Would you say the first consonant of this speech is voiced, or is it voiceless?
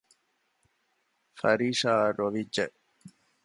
voiceless